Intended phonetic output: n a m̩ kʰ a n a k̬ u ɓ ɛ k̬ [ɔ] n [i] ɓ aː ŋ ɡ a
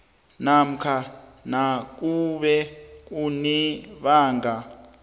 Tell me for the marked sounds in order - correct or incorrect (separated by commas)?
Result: incorrect, correct